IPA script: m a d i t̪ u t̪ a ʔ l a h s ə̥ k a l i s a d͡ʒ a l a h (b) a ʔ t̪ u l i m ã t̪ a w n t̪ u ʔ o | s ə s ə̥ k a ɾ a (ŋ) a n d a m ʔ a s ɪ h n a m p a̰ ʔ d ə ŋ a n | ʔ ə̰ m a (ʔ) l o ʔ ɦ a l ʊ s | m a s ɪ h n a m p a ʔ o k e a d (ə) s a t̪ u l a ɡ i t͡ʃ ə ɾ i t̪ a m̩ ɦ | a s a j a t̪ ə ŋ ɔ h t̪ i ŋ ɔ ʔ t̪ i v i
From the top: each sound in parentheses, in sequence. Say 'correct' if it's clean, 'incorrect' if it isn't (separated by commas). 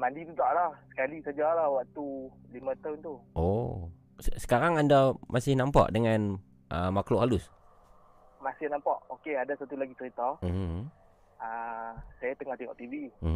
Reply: incorrect, correct, incorrect, incorrect